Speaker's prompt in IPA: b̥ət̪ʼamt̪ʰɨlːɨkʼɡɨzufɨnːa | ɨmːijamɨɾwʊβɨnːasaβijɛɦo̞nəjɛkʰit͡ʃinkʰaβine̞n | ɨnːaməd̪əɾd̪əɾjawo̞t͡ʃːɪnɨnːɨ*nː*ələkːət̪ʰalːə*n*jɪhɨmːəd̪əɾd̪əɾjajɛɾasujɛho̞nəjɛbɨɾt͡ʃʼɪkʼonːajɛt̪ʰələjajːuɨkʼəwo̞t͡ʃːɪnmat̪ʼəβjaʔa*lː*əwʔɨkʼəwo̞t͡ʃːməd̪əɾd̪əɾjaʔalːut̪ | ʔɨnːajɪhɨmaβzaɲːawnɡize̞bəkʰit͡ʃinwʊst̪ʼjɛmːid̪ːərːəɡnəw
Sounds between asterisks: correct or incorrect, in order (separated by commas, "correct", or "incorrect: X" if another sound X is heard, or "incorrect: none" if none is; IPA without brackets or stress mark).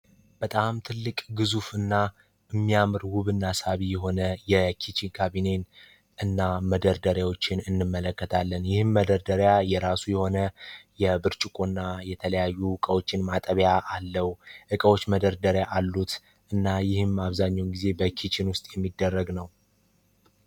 incorrect: mː, correct, correct